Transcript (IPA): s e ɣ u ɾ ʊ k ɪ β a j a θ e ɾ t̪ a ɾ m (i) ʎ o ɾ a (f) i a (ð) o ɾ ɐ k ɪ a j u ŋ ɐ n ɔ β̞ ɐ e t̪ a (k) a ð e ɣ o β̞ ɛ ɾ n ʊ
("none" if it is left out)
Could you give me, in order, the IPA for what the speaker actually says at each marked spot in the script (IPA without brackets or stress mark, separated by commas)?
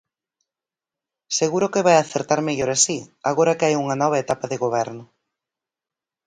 e, s, ɣ, p